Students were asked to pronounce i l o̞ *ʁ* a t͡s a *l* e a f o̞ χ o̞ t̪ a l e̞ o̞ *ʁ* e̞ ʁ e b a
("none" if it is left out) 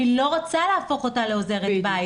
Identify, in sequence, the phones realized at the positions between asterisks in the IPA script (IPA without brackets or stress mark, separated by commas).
ʁ, l, z